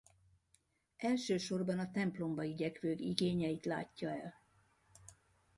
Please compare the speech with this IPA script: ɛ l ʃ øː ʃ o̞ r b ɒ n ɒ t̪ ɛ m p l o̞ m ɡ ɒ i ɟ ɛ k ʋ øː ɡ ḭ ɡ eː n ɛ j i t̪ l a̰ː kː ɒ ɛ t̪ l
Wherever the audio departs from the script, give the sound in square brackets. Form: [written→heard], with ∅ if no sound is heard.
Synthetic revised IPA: ɛ l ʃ øː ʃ o̞ r b ɒ n ɒ t̪ ɛ m p l o̞ m [ɡ→b] ɒ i ɟ ɛ k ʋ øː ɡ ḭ ɡ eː [n→ɲ] ɛ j i t̪ l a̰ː [kː→cː] ɒ ɛ [t̪→∅] l